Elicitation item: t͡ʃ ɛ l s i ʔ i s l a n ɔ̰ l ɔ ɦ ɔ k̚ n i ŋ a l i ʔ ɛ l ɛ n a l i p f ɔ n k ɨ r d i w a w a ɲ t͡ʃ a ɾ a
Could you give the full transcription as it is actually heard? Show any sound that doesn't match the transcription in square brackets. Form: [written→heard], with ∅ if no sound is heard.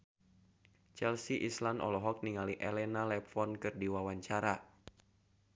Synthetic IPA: t͡ʃ ɛ l s i ʔ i s l a n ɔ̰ l ɔ ɦ ɔ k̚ n i ŋ a l i ʔ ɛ l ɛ n a l [i→ɛ] p f ɔ n k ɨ r d i w a w a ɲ t͡ʃ a ɾ a